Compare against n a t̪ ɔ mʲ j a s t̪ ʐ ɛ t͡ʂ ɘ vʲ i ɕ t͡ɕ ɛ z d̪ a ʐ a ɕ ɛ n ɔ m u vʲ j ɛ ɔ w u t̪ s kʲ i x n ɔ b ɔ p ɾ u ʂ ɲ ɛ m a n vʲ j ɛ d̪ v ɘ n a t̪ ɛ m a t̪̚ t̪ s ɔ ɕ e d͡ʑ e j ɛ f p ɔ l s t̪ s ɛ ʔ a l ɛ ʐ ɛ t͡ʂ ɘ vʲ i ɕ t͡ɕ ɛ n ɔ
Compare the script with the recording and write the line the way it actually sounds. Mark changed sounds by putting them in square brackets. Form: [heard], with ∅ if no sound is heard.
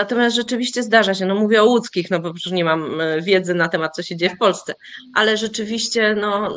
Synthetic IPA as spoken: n a t̪ ɔ mʲ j a s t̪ ʐ ɛ t͡ʂ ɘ vʲ i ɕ t͡ɕ ɛ z d̪ a ʐ a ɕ ɛ n ɔ m u vʲ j ɛ ɔ w u t̪ s kʲ i x n ɔ b ɔ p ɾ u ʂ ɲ ɛ m a [m] vʲ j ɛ d̪ [z] ɘ n a t̪ ɛ m a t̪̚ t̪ s ɔ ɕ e d͡ʑ e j ɛ f p ɔ l s t̪ s ɛ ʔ a l ɛ ʐ ɛ t͡ʂ ɘ vʲ i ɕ t͡ɕ ɛ n ɔ